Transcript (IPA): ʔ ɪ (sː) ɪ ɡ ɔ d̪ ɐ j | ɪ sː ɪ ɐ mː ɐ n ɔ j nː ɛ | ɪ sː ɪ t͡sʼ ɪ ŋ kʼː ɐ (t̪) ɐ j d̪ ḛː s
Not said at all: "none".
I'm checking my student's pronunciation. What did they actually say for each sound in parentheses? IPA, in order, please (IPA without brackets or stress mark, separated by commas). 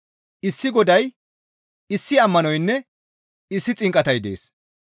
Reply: sː, t̪